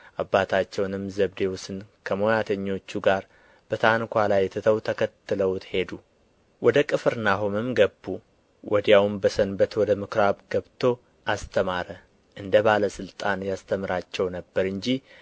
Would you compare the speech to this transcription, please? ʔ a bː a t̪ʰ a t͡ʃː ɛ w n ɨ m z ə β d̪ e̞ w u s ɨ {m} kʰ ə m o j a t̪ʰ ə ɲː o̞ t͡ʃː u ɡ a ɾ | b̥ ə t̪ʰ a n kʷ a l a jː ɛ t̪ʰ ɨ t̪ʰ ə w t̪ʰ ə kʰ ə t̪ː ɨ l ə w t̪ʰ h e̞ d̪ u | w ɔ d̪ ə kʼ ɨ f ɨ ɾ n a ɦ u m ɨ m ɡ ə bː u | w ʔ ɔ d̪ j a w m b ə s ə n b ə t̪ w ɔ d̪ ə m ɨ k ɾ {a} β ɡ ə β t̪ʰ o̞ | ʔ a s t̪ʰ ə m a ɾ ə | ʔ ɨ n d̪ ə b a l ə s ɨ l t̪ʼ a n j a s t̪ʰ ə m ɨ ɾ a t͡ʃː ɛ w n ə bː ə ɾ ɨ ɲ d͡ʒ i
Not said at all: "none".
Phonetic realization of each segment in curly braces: n, a

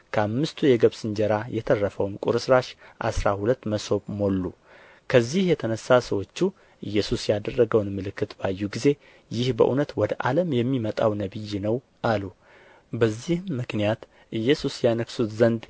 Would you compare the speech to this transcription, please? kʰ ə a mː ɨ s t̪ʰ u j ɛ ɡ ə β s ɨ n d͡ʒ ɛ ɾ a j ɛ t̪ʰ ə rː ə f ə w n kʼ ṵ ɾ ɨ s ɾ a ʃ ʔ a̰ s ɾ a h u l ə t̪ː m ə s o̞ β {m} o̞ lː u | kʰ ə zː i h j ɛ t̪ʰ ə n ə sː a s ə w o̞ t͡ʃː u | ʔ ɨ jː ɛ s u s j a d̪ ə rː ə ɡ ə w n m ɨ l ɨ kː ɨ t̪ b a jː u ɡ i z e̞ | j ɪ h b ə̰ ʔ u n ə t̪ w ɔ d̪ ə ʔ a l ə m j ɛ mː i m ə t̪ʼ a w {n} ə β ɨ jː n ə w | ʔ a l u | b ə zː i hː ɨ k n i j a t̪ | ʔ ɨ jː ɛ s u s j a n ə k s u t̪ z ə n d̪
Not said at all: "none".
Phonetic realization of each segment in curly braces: m, n

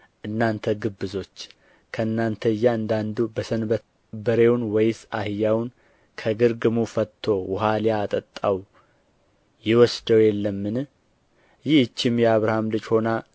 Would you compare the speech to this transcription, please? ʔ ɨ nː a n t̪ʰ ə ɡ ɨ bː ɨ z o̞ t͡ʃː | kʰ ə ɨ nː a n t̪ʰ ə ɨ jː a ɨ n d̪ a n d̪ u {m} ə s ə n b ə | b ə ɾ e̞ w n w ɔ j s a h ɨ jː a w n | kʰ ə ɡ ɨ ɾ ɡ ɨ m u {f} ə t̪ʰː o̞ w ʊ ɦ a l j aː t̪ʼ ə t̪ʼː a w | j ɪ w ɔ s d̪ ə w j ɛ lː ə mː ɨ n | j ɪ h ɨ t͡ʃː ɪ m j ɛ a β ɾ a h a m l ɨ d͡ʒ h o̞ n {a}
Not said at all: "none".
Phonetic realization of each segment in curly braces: b, f, a

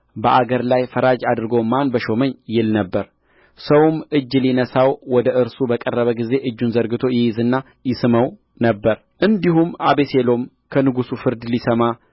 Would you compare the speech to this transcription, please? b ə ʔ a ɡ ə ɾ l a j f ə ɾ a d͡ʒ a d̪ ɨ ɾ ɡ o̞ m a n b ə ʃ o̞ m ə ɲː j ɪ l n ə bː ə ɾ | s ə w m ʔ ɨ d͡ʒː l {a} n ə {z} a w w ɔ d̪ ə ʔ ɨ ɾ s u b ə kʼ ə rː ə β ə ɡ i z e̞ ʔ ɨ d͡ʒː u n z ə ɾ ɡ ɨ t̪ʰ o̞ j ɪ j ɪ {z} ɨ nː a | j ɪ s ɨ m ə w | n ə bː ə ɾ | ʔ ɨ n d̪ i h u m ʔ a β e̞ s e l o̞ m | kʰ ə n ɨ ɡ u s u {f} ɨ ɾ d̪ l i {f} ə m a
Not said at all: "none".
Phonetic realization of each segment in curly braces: i, s, z, f, s

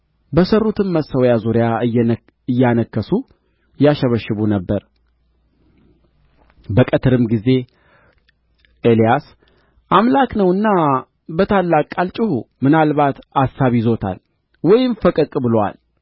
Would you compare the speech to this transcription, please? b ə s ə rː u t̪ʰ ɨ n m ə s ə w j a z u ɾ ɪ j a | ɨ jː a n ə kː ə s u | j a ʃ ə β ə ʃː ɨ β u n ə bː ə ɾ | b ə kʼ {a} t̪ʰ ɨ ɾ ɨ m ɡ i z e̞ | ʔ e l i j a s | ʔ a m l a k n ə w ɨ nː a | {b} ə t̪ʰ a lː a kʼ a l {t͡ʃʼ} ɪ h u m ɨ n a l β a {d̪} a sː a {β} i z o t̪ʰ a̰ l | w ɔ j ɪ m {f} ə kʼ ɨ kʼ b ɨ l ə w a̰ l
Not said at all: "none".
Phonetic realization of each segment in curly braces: ə, b, t͡ʃʼ, t̪, β, f

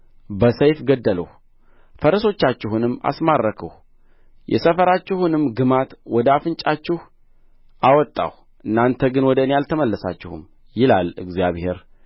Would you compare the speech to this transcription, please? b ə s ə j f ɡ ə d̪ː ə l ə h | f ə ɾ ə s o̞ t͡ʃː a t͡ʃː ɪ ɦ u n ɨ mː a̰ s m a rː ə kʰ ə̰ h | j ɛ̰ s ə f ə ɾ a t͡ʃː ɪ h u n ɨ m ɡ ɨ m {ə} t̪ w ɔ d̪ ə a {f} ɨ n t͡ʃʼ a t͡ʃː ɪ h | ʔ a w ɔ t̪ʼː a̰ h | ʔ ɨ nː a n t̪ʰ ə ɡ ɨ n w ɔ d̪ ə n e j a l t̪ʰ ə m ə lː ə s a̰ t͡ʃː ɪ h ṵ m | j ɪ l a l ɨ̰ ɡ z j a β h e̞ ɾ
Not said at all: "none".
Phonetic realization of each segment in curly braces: a, f

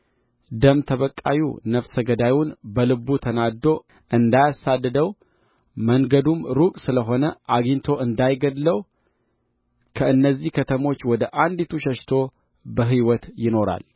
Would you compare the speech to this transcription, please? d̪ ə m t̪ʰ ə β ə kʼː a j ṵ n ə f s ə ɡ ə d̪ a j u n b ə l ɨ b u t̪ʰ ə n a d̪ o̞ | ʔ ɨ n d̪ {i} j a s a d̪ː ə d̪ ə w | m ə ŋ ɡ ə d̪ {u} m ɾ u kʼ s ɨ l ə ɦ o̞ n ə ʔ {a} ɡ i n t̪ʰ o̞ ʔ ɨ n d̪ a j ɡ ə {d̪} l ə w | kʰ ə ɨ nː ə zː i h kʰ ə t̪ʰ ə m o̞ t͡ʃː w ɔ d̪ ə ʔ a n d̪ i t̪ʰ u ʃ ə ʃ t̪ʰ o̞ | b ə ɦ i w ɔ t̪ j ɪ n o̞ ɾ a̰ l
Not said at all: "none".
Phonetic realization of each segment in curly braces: a, u, a, d̪

